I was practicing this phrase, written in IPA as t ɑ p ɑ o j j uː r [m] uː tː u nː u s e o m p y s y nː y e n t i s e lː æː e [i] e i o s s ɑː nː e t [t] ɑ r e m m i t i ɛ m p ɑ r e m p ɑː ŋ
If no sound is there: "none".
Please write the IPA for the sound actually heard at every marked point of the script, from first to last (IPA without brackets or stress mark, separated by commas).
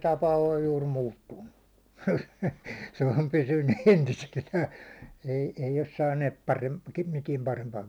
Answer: m, i, p